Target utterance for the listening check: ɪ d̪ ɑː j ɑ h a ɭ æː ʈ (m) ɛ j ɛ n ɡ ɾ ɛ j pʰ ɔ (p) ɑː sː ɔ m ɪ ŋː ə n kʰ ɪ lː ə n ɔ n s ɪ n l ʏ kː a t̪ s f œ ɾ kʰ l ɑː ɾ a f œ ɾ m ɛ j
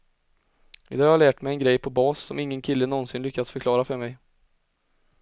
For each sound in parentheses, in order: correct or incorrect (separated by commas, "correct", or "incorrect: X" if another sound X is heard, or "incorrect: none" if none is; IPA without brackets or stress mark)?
correct, incorrect: b